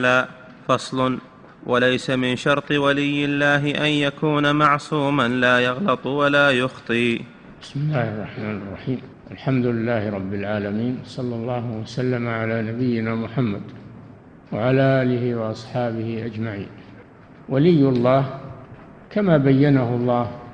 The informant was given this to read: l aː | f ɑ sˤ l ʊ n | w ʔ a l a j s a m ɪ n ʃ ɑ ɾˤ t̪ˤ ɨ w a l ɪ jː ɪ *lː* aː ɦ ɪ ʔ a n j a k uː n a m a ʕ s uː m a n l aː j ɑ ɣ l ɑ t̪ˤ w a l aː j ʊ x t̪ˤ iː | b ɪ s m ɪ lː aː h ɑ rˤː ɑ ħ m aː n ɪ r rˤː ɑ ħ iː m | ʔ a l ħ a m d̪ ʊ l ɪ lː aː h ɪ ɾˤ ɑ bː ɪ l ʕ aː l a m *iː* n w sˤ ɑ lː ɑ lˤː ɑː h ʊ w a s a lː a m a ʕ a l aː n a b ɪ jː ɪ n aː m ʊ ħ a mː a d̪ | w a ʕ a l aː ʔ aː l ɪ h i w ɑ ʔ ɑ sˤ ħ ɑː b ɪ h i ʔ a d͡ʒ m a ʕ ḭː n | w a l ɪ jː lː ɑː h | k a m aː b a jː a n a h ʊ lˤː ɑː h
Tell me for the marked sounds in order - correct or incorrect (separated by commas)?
correct, correct